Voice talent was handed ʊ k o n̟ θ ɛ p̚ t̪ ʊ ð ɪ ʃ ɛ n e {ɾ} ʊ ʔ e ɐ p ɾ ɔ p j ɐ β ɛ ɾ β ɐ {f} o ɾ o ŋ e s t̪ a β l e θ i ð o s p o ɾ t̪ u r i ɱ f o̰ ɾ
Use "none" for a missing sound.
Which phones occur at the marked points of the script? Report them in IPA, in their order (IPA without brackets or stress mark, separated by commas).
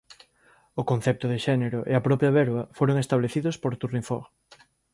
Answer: ɾ, f